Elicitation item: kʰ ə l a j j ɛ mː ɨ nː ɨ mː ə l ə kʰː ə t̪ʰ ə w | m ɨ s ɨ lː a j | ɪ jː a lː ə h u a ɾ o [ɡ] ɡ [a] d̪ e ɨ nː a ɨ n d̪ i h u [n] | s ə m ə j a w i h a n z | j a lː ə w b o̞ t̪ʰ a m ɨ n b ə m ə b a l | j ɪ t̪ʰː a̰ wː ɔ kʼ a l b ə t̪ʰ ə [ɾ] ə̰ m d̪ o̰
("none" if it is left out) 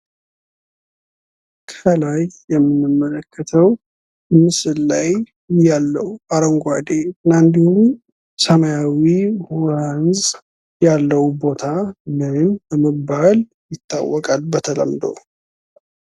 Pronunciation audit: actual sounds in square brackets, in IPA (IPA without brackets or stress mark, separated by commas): ŋ, a, m, l